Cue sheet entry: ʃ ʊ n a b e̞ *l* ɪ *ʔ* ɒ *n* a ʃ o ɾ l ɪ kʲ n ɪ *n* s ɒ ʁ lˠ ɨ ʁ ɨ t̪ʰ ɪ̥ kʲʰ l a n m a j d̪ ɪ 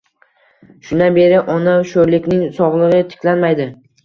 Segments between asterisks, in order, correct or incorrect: incorrect: ɾ, correct, correct, incorrect: ŋ

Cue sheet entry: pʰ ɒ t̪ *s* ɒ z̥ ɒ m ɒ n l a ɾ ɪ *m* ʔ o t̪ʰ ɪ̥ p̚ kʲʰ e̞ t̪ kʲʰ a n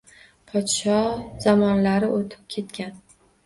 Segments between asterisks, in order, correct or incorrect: incorrect: ʃ, incorrect: none

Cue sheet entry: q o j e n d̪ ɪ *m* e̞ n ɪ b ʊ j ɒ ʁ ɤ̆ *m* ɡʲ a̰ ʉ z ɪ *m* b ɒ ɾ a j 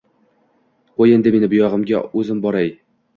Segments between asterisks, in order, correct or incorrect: correct, correct, correct

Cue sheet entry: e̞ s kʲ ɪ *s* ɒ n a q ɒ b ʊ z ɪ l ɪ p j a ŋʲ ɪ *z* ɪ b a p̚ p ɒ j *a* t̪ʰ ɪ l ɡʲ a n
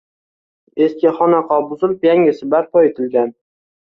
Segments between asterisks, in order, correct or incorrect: incorrect: χ, incorrect: s, incorrect: e

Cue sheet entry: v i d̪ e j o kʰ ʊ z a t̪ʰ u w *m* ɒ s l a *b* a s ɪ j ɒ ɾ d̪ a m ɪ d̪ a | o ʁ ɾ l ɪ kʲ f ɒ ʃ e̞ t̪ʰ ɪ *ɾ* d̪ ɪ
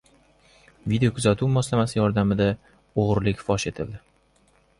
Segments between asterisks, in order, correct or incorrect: correct, incorrect: m, incorrect: l

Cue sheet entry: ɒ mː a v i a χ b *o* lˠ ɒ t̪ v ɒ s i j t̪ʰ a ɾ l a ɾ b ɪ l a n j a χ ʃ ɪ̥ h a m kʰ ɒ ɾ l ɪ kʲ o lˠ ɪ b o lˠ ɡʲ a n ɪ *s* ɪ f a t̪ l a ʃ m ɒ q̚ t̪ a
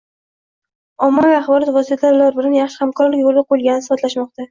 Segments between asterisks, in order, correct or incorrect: incorrect: ɒ, correct

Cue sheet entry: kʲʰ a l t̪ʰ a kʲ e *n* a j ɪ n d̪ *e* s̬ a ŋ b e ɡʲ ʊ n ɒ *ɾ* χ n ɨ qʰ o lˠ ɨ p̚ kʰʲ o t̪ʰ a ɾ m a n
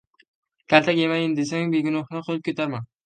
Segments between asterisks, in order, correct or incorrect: incorrect: m, correct, incorrect: none

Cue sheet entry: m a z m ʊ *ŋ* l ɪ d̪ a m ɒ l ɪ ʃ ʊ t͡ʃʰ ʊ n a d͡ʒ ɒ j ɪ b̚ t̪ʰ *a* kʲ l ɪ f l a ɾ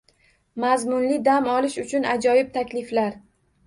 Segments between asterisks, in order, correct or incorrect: incorrect: n, correct

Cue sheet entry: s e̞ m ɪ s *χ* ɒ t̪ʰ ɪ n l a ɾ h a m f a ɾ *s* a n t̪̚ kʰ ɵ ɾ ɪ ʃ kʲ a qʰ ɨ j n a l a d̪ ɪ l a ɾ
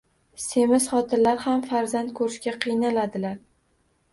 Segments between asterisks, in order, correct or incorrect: correct, incorrect: z

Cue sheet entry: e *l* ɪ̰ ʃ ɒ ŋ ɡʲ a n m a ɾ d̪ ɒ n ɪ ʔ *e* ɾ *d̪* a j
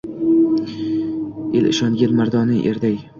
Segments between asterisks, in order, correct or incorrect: correct, correct, correct

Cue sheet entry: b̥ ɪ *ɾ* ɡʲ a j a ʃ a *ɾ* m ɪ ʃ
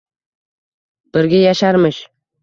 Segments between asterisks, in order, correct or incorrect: correct, correct

